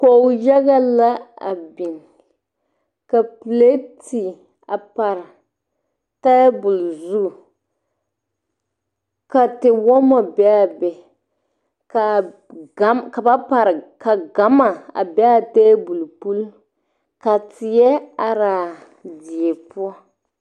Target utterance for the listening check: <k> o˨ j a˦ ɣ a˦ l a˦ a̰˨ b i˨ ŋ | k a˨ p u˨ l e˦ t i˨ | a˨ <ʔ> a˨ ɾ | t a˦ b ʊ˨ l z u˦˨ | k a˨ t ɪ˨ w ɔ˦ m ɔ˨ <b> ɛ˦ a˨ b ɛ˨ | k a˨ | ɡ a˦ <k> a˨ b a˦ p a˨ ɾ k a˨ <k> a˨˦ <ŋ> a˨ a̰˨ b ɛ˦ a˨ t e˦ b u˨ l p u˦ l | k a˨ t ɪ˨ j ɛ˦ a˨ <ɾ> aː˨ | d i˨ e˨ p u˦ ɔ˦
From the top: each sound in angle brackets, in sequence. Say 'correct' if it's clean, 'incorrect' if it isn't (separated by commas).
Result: correct, incorrect, correct, correct, incorrect, incorrect, correct